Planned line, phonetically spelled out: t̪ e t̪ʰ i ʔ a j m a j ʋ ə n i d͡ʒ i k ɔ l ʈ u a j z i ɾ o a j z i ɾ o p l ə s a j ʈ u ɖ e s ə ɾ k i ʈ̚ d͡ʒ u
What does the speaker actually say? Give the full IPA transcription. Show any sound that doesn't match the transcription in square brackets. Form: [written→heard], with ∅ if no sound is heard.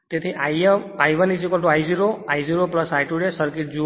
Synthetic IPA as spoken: t̪ e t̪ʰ i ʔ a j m a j ʋ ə n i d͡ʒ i k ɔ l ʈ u a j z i ɾ o a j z i ɾ o p l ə s a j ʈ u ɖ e s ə ɾ k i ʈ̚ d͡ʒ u